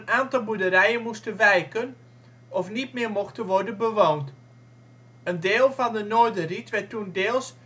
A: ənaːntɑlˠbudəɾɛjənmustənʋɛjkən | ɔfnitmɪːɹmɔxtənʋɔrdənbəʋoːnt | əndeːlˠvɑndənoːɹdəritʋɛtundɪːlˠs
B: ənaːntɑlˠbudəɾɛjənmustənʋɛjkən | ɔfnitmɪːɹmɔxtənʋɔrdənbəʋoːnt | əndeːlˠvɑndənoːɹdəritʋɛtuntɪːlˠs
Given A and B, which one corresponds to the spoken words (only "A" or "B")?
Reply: A